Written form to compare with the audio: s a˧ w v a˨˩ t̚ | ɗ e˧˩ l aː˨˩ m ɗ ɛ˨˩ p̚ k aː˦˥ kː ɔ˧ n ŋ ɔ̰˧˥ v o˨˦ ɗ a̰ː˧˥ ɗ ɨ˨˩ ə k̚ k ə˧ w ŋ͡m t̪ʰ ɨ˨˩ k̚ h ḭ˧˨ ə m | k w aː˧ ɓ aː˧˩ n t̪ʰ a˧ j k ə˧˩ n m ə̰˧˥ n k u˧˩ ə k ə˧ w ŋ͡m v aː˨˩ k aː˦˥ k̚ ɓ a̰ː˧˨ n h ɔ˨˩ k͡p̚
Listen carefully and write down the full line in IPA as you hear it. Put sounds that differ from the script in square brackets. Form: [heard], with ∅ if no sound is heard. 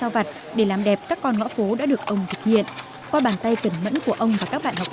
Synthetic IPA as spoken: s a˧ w v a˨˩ t̚ | ɗ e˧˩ l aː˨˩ m ɗ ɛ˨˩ p̚ k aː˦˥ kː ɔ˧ n ŋ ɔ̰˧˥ [f] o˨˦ ɗ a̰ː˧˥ ɗ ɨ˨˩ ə k̚ [ʔ] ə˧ w ŋ͡m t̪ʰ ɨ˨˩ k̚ h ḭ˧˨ ə [n] | k w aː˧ ɓ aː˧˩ n [t̪] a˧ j k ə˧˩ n m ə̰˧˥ n k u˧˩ ə [ʔ] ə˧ w ŋ͡m v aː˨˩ k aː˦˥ k̚ ɓ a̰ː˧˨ n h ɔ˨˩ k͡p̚